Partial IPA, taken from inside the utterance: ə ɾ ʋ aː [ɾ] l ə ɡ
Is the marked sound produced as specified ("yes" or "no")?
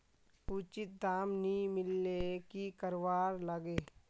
yes